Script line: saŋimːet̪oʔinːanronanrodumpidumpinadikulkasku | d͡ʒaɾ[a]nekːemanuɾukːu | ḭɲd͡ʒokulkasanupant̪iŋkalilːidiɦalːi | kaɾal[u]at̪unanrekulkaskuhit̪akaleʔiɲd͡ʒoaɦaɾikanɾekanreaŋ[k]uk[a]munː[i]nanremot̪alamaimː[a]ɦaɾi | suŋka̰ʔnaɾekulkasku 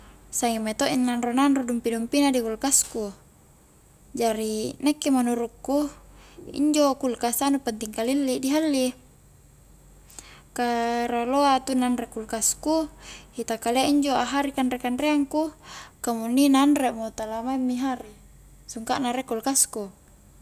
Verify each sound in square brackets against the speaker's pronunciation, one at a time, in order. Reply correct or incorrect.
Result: incorrect, incorrect, correct, correct, correct, incorrect

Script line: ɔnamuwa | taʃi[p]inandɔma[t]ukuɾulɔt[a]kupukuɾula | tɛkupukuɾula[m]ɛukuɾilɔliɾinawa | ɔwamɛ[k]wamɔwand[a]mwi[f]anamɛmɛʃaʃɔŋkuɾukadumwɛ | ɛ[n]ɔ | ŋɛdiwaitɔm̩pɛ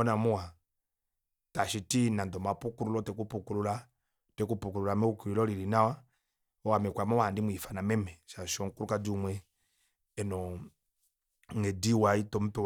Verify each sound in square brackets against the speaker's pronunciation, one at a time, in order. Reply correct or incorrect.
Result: incorrect, incorrect, incorrect, correct, correct, incorrect, correct, correct

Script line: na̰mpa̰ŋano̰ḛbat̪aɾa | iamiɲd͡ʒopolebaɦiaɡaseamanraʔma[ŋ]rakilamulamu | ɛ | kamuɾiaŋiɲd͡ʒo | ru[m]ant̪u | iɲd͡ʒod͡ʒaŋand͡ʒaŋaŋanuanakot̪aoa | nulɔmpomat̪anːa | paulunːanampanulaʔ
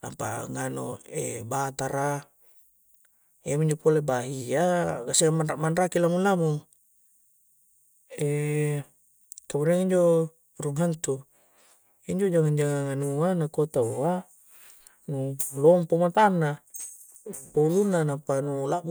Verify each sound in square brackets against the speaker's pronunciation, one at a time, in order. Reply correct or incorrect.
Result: incorrect, incorrect

